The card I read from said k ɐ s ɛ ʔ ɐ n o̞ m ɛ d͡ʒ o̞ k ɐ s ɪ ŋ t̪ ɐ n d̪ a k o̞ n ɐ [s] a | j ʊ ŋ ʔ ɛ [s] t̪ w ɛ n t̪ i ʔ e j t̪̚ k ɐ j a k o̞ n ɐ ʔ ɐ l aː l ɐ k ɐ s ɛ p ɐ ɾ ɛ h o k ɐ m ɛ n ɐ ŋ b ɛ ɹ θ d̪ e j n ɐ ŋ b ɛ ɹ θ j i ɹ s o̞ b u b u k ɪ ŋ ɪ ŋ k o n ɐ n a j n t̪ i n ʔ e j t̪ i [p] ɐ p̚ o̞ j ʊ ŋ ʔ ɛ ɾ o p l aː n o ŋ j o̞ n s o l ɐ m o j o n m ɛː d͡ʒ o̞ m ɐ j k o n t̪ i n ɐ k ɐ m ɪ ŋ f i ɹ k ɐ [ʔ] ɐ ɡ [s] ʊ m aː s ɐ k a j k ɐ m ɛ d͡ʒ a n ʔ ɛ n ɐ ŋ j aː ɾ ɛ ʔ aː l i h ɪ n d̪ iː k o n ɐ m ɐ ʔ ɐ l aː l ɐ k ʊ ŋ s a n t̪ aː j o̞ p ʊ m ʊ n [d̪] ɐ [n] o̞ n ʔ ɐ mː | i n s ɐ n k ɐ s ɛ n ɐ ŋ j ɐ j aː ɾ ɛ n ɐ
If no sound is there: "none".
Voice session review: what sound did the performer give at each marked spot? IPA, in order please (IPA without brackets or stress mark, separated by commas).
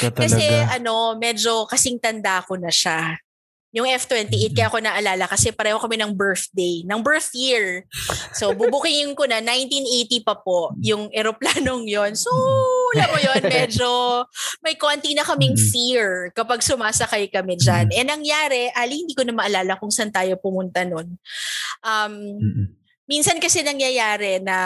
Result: ʃ, f, p, p, s, t̪, n